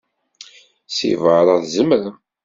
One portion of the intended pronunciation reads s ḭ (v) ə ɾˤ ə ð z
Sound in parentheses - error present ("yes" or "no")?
no